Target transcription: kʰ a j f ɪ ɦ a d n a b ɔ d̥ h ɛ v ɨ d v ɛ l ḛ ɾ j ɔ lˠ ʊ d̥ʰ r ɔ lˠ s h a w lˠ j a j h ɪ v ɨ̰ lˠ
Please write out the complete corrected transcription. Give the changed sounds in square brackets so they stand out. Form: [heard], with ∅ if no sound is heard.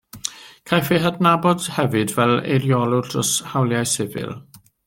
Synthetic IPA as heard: kʰ a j f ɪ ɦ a d n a b ɔ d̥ h ɛ v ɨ d v ɛ l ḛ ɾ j ɔ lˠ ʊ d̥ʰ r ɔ [∅] s h a w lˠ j a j [s] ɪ v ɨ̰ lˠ